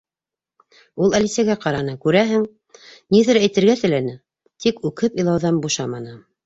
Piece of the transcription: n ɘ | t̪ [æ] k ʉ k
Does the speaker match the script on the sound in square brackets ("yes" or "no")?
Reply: no